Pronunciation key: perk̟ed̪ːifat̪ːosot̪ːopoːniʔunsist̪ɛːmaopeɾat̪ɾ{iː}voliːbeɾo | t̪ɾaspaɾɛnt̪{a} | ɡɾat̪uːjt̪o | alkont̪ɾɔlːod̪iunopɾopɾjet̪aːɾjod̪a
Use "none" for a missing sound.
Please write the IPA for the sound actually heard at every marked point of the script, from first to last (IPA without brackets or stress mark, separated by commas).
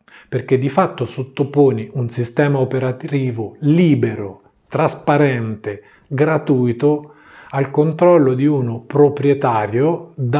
iː, e